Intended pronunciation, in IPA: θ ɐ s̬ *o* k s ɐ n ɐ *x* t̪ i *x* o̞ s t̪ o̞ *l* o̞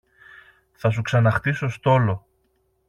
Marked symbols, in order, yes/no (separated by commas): no, yes, no, yes